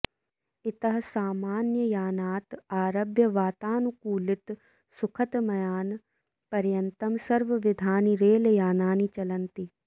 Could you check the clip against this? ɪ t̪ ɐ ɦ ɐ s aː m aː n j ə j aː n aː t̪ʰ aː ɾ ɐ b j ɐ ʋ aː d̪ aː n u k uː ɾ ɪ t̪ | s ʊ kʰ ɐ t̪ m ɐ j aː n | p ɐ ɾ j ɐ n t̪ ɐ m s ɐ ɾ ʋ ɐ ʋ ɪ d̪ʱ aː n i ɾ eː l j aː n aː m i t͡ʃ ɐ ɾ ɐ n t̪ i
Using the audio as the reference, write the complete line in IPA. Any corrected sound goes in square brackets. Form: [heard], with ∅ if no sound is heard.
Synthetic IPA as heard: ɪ t̪ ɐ ɦ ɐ s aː m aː n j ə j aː n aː [t̪] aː ɾ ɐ b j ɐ ʋ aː [t̪] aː n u k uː [l] ɪ t̪ | s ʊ kʰ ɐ t̪ m ɐ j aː n | p ɐ ɾ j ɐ n t̪ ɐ m s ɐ ɾ ʋ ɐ ʋ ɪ d̪ʱ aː n i ɾ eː l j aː n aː [n] i t͡ʃ ɐ [l] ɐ n t̪ i